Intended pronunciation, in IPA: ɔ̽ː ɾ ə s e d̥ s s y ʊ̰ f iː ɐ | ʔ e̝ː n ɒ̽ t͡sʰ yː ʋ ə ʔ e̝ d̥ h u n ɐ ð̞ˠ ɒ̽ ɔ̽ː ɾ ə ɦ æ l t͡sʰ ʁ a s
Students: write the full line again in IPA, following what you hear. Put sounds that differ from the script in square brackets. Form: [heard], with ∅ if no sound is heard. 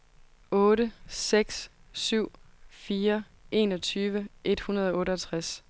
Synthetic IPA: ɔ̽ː ɾ ə s e [ɡ̥] s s y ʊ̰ f iː ɐ | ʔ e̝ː n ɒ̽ t͡sʰ yː ʋ ə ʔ e̝ d̥ h u n ɐ ð̞ˠ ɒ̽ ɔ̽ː ɾ ə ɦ æ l t͡sʰ ʁ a s

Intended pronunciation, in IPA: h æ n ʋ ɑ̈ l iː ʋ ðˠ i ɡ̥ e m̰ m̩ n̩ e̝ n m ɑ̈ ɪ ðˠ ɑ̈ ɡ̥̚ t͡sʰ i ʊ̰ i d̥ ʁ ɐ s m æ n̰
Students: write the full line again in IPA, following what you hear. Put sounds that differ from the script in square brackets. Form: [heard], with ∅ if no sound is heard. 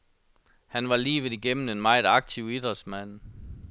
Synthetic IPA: h æ n ʋ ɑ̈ l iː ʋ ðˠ i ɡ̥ e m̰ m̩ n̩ e̝ n m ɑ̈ ɪ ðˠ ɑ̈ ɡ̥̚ t͡sʰ i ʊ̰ i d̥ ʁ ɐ s m æ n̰

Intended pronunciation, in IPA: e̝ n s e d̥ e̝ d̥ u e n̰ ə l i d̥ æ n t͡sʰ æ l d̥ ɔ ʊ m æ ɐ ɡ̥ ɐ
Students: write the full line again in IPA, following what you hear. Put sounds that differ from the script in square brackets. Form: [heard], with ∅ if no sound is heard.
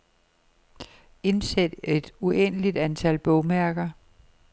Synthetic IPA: e̝ n s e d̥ e̝ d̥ u e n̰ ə l i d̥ æ n t͡sʰ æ l [b̥] ɔ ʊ m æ ɐ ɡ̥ ɐ

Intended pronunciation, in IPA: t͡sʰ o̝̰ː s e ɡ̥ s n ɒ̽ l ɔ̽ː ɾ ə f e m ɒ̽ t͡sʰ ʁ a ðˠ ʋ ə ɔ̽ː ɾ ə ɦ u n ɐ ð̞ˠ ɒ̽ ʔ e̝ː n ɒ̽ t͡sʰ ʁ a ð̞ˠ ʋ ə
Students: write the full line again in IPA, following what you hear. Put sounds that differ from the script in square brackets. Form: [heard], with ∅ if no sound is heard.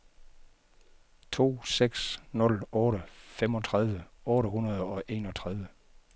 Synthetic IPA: t͡sʰ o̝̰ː s e ɡ̥ s n [ɔ̽] l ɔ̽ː ɾ ə f e m ɒ̽ t͡sʰ ʁ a ðˠ ʋ ə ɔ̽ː ɾ ə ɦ u n ɐ ð̞ˠ ɒ̽ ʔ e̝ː n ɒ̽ t͡sʰ ʁ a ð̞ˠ ʋ ə

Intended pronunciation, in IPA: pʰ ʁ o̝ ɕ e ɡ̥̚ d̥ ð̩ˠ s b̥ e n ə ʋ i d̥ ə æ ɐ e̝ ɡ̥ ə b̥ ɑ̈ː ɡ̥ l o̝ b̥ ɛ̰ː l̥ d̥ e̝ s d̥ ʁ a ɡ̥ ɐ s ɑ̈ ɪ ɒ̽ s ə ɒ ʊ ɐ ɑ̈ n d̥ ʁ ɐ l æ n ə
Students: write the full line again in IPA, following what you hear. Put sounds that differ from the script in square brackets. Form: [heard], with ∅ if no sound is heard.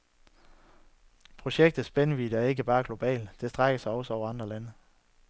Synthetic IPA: pʰ ʁ o̝ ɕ e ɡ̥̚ d̥ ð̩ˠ s b̥ e n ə ʋ i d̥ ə æ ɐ e̝ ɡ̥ ə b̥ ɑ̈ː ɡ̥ l o̝ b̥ ɛ̰ː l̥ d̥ e̝ s d̥ ʁ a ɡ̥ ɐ s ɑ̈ ɪ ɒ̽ s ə ɒ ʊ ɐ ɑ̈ n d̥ ʁ ɐ l æ n ə

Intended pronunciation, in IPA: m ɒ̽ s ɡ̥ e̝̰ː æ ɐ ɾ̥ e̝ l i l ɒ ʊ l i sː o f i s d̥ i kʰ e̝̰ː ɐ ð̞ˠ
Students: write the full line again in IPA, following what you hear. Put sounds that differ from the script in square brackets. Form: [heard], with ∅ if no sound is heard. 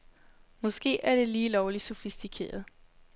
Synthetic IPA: m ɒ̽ s ɡ̥ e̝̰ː æ ɐ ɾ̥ e̝ l [iː] l ɒ ʊ l i [s] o f i s d̥ i kʰ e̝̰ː ɐ ð̞ˠ

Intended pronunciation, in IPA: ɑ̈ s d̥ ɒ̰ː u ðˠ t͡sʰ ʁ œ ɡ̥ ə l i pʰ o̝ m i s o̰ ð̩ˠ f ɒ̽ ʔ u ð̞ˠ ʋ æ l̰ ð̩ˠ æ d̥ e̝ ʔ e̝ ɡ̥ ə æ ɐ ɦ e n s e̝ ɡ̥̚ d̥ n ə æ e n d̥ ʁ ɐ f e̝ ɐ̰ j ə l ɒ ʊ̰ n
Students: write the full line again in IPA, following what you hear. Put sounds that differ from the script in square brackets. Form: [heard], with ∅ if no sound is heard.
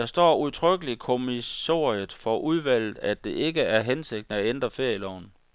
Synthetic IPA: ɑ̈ s d̥ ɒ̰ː u ðˠ t͡sʰ ʁ œ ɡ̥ ə l i [kʰ] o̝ m i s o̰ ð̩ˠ f ɒ̽ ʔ u ð̞ˠ ʋ æ l̰ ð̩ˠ æ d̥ e̝ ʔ e̝ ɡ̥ ə æ ɐ ɦ e n s e̝ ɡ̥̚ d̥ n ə æ e n d̥ ʁ ɐ f e̝ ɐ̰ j ə l ɒ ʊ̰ n

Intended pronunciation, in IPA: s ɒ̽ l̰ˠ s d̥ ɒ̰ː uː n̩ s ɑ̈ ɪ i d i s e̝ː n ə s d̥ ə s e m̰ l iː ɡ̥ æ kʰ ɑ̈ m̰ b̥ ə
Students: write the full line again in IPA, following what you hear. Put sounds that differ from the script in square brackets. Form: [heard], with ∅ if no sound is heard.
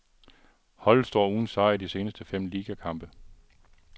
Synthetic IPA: [h] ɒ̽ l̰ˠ s d̥ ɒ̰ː uː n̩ s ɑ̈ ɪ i d i s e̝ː n ə s d̥ ə [f] e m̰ l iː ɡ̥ æ kʰ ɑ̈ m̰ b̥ ə

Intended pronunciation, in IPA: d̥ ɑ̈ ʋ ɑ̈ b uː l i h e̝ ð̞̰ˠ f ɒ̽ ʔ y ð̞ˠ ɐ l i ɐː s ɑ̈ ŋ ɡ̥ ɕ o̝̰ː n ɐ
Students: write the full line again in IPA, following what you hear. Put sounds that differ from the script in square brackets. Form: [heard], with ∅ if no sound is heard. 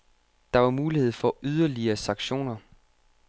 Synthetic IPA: d̥ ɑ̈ ʋ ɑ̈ [m] uː l i h e̝ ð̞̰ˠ f ɒ̽ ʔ y ð̞ˠ ɐ l i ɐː s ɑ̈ ŋ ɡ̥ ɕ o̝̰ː n ɐ

